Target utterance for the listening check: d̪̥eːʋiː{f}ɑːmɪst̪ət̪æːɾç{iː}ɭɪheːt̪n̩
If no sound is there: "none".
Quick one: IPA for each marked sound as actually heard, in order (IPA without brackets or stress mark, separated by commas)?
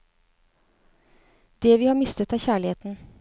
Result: h, æː